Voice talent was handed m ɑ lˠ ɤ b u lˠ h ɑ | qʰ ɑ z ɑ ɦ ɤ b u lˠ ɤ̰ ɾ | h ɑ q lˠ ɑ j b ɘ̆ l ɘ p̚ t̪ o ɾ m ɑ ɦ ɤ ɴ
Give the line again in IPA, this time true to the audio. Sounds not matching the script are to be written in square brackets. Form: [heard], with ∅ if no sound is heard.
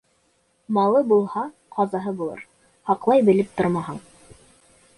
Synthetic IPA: m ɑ lˠ ɤ b u lˠ h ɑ | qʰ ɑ z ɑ ɦ ɤ b u lˠ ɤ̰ ɾ | h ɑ q lˠ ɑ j b ɘ̆ l ɘ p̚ t̪ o ɾ m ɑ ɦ ɤ ɴ